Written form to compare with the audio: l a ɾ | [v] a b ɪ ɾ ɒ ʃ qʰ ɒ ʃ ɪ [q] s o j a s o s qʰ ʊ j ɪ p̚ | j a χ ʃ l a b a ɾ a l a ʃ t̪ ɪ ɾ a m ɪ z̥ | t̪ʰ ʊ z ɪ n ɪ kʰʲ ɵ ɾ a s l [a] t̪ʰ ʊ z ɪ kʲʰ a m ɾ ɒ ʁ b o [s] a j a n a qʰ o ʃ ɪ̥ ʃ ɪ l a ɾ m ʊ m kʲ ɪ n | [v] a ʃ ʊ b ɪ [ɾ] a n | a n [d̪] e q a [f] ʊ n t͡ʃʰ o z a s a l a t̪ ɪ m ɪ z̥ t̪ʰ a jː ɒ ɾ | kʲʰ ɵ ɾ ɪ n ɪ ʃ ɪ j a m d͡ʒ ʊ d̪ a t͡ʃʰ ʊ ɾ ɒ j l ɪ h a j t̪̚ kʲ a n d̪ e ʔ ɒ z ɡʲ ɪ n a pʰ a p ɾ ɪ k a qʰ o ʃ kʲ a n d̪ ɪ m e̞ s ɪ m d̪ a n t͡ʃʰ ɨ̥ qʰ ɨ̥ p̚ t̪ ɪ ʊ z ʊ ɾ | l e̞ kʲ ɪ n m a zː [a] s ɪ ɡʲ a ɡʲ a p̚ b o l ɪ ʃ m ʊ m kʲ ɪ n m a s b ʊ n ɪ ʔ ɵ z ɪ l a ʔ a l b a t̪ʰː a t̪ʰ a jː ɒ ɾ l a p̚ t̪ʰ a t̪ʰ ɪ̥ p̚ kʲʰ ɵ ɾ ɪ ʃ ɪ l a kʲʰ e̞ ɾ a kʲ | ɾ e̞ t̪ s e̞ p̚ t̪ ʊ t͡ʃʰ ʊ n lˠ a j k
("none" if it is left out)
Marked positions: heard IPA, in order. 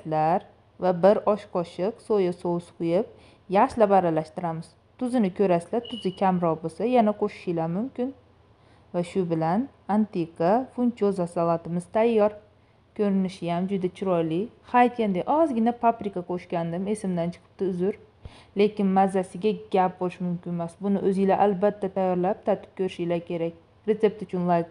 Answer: v, q, a, s, v, l, t̪, f, a

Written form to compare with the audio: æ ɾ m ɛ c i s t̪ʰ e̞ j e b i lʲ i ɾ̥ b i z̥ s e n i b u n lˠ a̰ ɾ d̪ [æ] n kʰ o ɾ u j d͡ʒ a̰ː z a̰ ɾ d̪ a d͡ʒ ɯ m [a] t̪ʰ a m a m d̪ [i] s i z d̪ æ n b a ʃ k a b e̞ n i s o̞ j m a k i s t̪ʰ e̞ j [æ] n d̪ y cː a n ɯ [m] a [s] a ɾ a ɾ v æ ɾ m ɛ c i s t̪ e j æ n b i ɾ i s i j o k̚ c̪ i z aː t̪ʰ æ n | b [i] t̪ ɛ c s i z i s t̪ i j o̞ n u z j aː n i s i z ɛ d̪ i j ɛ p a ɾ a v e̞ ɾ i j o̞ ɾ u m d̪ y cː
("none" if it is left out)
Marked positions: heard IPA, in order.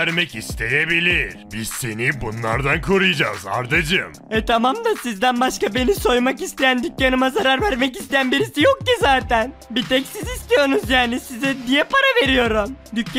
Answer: a, ɛ, a, æ, m, z, i

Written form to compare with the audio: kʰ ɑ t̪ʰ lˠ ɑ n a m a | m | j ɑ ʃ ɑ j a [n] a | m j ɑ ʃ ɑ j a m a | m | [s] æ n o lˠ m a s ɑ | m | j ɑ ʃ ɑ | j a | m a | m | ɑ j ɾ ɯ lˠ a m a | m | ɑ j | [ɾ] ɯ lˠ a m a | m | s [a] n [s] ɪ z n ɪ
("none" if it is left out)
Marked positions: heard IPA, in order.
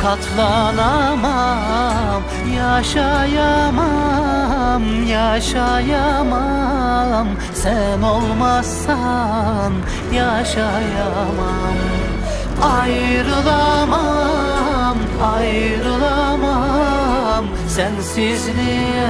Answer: m, s, ɾ, æ, s

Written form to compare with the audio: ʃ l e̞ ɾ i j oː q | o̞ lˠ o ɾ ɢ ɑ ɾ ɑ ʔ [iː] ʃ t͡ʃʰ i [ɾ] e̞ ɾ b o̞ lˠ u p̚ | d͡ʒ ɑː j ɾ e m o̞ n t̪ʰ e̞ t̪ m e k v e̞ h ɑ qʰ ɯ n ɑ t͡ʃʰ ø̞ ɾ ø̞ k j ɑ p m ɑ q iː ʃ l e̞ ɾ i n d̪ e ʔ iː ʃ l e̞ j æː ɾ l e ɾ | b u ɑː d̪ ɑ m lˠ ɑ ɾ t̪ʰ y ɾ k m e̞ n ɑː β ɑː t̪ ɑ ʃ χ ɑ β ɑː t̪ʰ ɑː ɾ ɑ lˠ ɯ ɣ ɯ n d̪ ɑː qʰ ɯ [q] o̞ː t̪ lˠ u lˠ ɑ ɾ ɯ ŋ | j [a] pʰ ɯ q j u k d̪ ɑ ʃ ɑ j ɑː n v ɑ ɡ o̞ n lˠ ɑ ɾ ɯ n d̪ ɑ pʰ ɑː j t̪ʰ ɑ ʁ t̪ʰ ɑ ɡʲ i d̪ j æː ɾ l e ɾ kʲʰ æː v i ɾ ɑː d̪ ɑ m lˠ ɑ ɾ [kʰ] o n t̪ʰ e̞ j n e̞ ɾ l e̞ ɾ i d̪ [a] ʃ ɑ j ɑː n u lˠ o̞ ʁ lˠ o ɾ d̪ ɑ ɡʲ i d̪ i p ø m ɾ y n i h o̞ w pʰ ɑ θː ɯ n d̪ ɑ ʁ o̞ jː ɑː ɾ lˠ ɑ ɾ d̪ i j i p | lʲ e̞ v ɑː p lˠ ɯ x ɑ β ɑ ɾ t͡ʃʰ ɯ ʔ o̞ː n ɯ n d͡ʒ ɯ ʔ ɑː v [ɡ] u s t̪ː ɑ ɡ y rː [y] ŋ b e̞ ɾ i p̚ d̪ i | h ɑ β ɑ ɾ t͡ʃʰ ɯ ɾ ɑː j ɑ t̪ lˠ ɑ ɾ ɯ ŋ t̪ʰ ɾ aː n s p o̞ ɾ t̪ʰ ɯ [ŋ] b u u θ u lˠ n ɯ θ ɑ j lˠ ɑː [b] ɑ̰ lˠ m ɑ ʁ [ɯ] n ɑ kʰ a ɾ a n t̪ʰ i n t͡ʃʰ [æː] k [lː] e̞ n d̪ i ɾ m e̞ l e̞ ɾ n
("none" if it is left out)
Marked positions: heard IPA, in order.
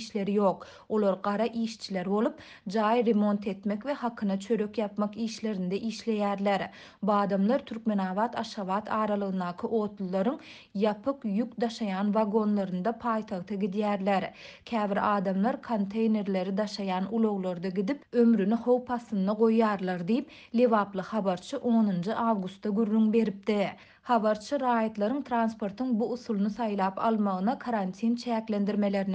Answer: iː, l, ʔ, ɑ, kʰ, ɑ, ɡ, y, ŋ, p, ɯ, æː, l

